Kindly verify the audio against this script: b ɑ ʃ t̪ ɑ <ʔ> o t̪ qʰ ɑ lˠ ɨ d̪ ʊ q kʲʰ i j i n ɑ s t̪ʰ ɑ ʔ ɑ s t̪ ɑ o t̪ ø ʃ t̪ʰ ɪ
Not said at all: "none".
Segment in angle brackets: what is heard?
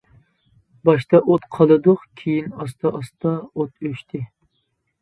ʔ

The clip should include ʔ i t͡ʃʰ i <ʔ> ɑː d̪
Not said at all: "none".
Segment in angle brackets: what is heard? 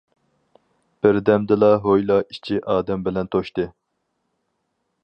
ʔ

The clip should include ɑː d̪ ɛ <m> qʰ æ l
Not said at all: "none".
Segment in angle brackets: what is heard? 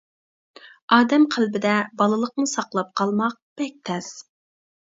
m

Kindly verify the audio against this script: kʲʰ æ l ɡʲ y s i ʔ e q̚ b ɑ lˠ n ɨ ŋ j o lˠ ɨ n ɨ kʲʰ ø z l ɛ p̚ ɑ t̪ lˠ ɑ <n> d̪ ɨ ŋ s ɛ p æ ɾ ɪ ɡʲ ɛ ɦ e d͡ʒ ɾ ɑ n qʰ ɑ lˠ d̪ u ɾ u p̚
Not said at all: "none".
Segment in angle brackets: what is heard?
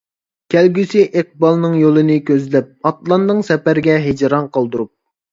n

